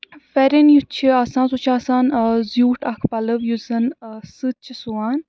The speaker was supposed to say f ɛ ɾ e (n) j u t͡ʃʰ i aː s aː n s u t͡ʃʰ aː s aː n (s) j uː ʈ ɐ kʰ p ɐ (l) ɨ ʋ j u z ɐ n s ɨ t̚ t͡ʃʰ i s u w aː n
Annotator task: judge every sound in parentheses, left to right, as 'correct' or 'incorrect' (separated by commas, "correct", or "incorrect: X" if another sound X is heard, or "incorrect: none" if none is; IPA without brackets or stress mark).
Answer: correct, incorrect: z, correct